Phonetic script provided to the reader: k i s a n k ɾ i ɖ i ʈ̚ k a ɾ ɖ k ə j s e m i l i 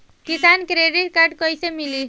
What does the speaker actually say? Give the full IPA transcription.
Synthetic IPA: k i s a n k ɾ e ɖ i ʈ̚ k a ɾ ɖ k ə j s e m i l i